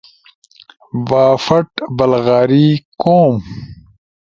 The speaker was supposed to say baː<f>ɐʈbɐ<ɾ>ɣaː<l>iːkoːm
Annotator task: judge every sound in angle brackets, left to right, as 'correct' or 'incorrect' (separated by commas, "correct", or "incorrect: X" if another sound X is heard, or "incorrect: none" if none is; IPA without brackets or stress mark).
correct, incorrect: l, incorrect: ɾ